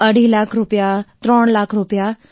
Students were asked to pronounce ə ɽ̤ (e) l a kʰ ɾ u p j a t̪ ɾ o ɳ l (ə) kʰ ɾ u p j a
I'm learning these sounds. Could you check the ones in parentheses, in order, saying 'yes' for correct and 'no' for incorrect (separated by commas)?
no, no